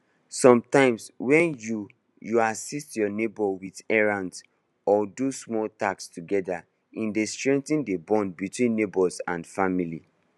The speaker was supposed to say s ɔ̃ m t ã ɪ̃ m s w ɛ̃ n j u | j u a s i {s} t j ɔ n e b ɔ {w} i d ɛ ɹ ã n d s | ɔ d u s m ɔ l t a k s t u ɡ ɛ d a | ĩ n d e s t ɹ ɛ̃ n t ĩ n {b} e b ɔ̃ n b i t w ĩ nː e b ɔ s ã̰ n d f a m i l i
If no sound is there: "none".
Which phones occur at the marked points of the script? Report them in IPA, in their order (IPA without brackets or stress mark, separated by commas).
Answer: s, w, d